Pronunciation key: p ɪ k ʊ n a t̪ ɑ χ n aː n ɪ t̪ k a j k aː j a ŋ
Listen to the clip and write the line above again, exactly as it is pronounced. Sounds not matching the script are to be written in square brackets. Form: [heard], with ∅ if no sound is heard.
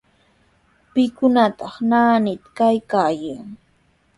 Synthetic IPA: p ɪ k ʊ n a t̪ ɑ χ n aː n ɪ t̪ k a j k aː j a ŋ

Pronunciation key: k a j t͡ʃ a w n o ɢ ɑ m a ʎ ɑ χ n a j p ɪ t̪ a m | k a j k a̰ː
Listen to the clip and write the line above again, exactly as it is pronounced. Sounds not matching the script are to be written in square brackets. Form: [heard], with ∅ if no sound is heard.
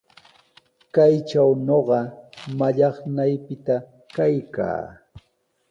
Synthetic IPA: k a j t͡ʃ a w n o ɢ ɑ m a ʎ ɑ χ n a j p ɪ t̪ a [∅] | k a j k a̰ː

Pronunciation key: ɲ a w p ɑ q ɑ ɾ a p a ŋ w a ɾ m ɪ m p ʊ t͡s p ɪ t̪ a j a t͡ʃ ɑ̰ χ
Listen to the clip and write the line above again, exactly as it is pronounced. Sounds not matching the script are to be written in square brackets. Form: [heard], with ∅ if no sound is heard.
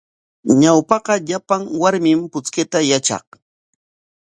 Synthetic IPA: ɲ a w p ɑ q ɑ [ʎ] a p a ŋ w a ɾ m ɪ m p ʊ t͡s [k] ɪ t̪ a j a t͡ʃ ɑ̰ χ

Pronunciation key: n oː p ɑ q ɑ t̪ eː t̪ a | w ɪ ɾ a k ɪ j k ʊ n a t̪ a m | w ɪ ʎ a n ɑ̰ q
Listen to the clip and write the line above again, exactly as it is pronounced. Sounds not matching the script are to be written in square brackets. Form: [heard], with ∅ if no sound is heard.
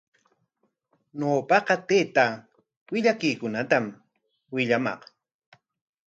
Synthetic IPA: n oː p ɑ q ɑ t̪ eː t̪ a | w ɪ [ʎ] a k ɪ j k ʊ n a t̪ a m | w ɪ ʎ a [m] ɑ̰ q

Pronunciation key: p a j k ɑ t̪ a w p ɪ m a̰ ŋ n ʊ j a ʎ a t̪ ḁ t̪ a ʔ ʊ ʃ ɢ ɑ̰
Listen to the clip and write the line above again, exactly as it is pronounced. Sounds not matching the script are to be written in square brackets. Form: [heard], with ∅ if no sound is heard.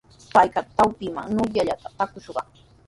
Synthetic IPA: p a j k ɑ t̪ a w p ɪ m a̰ ŋ n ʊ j a ʎ a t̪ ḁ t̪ a [k] ʊ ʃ ɢ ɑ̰

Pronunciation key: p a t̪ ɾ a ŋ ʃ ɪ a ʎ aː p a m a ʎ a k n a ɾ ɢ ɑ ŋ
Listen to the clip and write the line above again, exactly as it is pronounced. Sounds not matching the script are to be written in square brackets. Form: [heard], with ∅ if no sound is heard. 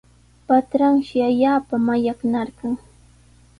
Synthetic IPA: p a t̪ ɾ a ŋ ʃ ɪ a ʎ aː p a m a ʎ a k n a ɾ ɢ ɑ ŋ

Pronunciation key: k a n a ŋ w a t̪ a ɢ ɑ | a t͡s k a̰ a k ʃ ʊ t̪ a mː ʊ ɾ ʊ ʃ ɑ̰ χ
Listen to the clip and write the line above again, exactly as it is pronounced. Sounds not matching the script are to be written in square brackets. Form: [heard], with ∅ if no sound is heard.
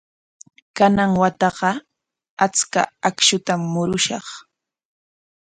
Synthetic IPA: k a n a ŋ w a t̪ [ɑ] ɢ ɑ | a t͡s k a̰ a k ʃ ʊ t̪ a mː ʊ ɾ ʊ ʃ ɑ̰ χ

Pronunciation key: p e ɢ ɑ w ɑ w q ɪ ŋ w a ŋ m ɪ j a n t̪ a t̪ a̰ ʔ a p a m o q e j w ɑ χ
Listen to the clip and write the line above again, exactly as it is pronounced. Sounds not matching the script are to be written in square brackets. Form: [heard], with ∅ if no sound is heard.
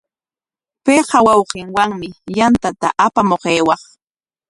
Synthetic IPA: p e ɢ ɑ w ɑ w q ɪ ŋ w a ŋ m ɪ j a n t̪ a t̪ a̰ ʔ a p a m o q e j w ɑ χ

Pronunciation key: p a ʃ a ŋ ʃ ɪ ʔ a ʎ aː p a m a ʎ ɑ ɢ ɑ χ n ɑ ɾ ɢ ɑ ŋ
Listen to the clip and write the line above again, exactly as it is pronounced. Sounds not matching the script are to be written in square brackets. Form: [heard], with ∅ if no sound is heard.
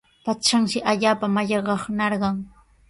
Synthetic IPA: p a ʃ a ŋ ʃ ɪ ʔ a ʎ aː p a m a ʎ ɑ ɢ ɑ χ n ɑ ɾ ɢ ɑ ŋ

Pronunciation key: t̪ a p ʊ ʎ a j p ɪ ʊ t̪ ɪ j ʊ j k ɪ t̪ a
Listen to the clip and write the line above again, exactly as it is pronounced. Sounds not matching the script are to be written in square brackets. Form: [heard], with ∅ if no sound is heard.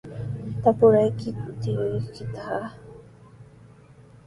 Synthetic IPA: t̪ a p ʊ [ɾ] a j [k] ɪ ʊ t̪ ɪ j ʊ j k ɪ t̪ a

